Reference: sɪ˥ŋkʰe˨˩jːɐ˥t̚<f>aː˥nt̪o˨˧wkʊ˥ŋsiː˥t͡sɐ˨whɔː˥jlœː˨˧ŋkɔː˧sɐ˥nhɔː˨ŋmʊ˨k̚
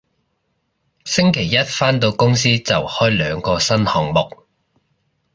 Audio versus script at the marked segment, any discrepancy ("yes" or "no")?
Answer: no